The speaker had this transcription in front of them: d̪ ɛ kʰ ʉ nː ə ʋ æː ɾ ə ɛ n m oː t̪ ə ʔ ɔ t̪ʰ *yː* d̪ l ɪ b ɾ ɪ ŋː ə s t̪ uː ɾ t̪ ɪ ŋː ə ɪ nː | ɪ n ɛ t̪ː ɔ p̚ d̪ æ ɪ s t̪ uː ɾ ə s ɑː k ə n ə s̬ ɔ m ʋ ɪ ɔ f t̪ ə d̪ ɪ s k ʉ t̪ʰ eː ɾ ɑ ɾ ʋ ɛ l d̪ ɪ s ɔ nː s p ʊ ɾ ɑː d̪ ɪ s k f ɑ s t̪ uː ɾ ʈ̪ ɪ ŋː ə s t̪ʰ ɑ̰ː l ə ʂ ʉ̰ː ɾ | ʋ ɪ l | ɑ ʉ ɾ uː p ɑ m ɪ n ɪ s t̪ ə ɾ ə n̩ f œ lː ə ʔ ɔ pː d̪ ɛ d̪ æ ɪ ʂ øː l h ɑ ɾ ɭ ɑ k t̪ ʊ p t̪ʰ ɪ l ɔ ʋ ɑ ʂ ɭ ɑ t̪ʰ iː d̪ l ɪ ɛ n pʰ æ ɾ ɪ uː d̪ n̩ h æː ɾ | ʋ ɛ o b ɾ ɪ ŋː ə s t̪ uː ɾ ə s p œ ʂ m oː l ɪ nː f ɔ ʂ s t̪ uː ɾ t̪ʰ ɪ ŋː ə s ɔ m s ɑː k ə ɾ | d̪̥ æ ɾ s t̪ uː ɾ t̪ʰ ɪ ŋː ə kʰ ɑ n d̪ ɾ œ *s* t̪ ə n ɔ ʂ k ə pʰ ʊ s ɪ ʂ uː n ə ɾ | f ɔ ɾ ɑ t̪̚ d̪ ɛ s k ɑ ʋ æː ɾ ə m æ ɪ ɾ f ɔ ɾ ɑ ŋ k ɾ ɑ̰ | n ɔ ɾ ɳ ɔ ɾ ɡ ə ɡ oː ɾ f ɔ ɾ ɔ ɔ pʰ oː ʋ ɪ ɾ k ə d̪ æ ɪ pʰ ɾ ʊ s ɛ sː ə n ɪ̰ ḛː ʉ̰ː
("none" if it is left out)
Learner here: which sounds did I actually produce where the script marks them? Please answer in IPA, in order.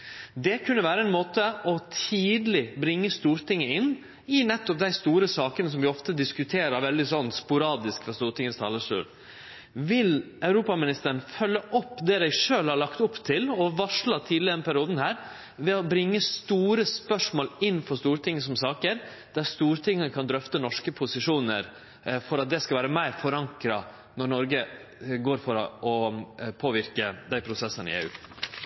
iː, f

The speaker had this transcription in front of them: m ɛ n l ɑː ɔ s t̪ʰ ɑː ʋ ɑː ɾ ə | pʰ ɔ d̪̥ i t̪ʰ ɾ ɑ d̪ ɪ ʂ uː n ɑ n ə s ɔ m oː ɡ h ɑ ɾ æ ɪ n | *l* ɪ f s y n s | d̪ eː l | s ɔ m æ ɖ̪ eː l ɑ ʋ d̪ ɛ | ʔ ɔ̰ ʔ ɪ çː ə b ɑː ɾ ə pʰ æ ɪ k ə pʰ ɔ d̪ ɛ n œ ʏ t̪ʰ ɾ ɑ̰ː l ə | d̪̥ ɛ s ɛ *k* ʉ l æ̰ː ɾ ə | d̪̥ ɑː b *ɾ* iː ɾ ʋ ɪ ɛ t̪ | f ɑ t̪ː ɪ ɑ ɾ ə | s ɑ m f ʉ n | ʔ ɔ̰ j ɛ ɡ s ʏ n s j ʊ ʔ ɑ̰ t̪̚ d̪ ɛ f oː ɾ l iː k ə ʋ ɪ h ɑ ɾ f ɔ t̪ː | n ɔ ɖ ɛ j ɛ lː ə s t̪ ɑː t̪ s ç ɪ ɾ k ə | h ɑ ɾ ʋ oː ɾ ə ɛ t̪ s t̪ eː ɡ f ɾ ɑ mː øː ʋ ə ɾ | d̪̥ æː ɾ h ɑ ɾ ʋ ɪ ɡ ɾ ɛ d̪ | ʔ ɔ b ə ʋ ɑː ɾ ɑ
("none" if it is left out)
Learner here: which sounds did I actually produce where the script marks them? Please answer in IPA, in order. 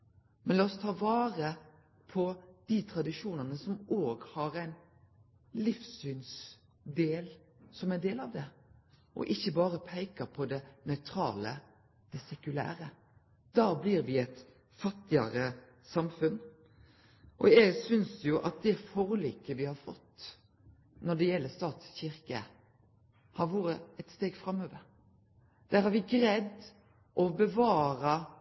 l, k, l

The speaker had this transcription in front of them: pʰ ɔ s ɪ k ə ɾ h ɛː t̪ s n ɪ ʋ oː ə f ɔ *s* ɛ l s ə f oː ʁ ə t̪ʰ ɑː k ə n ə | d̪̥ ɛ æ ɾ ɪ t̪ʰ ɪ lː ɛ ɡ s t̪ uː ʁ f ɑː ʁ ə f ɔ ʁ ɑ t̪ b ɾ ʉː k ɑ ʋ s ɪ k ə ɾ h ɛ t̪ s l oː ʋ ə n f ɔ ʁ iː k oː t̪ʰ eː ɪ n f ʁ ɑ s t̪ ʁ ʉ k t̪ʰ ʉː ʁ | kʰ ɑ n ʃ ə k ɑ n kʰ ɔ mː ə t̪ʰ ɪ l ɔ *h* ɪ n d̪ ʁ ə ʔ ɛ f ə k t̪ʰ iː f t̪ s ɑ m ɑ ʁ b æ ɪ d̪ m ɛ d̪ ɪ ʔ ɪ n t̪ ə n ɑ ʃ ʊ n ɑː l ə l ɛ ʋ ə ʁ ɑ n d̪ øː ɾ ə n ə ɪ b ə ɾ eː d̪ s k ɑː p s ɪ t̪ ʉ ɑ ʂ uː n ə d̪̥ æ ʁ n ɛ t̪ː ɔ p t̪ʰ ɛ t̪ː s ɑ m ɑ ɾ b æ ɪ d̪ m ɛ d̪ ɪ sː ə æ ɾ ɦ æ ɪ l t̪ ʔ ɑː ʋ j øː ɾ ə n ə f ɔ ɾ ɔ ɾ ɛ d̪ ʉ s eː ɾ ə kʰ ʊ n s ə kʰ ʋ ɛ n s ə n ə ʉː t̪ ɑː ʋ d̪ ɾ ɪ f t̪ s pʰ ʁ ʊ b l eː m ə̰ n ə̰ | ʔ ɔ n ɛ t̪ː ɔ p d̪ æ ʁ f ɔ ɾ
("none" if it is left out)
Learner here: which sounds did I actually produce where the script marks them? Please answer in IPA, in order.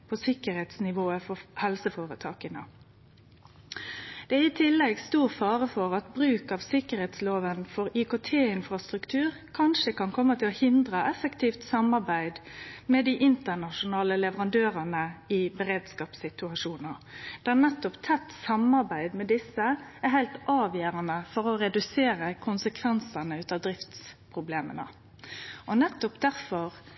h, h

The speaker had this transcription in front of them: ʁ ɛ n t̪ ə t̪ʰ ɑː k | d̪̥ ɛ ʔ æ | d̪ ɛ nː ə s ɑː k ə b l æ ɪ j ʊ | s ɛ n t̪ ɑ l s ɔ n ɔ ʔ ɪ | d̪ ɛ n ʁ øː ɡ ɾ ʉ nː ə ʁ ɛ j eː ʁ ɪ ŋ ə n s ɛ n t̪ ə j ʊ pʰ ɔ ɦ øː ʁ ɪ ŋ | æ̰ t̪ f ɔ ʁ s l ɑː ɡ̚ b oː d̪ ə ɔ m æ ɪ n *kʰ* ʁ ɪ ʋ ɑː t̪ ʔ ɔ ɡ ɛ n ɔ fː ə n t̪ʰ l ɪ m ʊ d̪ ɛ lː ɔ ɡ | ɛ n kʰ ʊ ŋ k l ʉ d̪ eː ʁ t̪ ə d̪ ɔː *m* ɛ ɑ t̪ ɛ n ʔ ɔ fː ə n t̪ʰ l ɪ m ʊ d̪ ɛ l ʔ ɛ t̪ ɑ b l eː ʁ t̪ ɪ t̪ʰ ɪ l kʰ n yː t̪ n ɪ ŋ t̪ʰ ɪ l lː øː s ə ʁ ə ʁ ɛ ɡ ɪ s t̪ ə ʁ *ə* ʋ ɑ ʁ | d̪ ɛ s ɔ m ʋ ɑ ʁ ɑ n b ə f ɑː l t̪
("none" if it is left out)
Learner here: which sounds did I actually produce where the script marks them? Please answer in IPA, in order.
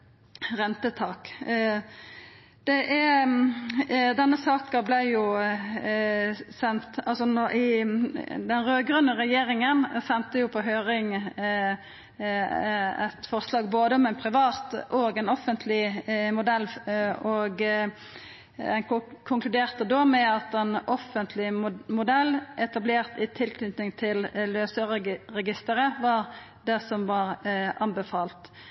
pʰ, m, ə

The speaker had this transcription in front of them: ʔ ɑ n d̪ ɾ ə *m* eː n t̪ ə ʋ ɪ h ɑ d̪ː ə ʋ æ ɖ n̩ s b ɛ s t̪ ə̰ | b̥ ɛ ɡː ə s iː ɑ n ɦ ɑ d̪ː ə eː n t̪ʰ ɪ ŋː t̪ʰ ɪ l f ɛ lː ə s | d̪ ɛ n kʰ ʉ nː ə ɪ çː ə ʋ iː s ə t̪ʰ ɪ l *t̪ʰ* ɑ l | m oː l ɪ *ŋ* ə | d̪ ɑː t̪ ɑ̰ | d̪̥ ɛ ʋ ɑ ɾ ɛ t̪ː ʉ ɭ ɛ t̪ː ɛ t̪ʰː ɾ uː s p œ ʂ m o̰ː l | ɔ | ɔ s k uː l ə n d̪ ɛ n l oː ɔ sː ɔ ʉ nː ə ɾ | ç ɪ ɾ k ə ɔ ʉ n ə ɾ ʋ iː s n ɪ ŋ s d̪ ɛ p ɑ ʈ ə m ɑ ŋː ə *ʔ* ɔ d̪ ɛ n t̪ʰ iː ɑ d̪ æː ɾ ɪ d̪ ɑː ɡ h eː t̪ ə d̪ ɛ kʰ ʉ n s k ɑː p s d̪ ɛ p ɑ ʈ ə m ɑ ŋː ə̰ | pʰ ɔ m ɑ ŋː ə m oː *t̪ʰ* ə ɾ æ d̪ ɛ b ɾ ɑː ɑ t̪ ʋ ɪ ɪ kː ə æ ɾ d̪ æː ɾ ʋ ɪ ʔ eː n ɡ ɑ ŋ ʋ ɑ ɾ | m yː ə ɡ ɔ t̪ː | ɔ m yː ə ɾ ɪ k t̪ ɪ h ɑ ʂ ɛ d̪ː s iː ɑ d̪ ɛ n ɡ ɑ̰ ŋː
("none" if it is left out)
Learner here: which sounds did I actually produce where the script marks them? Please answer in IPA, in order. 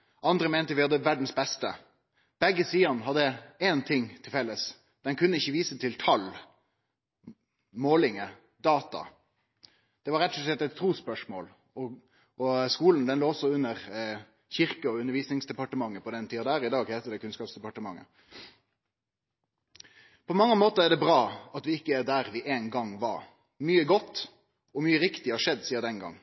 m, t̪ʰ, ŋ, p, t̪

